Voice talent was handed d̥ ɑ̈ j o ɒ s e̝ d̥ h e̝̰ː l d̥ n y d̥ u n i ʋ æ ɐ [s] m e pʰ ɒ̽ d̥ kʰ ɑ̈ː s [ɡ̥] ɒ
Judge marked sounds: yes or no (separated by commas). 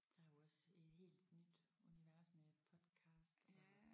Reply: yes, no